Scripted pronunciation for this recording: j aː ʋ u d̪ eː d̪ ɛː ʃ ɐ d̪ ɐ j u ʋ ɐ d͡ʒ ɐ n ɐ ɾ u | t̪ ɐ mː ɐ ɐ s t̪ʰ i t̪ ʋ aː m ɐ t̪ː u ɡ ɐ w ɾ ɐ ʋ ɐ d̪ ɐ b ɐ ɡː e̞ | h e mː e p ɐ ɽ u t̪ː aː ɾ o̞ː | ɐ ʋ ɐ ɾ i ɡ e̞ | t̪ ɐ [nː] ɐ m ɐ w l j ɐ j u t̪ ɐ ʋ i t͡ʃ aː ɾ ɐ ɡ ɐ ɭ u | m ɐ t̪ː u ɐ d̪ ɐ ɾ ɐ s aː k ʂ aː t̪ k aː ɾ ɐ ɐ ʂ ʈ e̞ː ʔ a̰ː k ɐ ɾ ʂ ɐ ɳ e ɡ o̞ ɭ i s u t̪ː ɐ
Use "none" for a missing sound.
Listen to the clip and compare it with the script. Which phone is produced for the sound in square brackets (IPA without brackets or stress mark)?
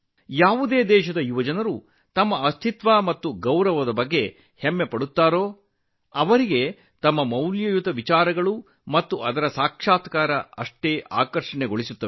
mː